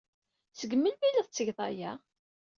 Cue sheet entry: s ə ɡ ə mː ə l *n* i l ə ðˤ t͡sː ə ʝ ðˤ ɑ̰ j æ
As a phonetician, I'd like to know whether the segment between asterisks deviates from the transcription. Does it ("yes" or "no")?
yes